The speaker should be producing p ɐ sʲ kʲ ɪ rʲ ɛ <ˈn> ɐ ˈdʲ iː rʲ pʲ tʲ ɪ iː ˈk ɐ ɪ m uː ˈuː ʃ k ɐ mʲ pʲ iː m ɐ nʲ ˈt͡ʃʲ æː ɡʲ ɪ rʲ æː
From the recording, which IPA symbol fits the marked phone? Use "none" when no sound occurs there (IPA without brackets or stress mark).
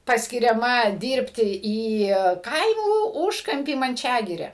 m